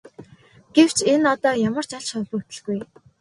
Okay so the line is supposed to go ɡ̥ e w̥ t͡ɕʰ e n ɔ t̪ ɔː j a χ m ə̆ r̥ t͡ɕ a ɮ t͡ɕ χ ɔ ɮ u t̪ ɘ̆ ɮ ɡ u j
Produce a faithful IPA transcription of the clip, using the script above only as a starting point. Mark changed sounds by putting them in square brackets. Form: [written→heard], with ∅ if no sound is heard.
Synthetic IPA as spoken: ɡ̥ e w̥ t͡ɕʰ e n ɔ t̪ ɔː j a [χ→∅] m ə̆ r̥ t͡ɕ a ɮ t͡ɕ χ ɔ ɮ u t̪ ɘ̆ ɮ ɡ u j